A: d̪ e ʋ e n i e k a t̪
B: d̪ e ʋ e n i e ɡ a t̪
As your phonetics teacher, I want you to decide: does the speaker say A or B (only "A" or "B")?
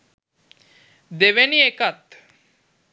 A